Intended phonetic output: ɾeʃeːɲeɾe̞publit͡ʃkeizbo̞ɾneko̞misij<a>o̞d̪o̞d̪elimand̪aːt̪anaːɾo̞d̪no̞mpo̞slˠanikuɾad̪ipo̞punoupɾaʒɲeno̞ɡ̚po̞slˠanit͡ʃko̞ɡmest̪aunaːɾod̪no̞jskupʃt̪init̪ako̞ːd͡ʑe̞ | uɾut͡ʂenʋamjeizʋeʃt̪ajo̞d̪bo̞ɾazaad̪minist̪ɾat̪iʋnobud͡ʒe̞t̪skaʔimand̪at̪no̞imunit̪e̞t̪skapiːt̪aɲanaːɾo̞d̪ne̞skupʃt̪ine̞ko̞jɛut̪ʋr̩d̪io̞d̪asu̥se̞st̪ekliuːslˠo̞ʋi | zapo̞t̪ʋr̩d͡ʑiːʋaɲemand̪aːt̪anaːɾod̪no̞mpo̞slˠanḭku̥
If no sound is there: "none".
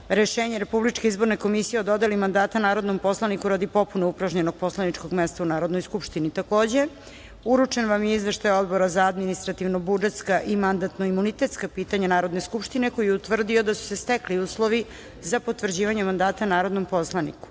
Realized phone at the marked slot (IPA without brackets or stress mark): e